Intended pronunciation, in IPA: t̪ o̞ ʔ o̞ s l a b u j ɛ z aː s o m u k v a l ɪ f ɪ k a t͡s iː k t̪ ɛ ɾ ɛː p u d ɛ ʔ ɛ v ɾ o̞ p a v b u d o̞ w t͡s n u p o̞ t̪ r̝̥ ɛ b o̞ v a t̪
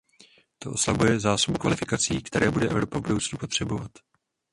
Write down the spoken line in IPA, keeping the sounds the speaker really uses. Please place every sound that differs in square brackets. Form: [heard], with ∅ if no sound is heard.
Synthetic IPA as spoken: t̪ o̞ ʔ o̞ s l a b u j ɛ z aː s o [b] u k v a l ɪ f ɪ k a t͡s iː k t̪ ɛ ɾ ɛː [b] u d ɛ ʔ ɛ v ɾ o̞ p a v b u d o̞ w t͡s n u p o̞ t̪ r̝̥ ɛ b o̞ v a t̪